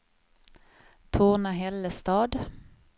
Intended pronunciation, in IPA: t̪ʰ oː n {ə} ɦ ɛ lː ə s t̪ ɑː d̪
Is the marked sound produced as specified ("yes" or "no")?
no